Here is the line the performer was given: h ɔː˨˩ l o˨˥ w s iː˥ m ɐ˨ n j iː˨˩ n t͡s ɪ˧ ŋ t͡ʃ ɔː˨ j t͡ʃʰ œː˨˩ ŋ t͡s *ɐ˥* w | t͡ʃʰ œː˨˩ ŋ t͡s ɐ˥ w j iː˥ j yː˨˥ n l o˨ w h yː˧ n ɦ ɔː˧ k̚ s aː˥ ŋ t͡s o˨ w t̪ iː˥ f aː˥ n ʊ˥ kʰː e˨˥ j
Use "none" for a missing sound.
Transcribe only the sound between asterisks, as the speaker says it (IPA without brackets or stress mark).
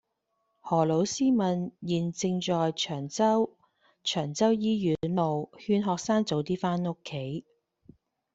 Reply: ɐ˥